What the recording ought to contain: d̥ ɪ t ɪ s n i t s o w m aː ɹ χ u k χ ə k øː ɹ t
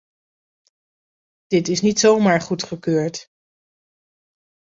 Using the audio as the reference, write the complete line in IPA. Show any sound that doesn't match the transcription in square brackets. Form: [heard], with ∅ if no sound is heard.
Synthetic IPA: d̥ ɪ t ɪ s n i t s o w m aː ɹ χ u [t] χ ə k øː ɹ t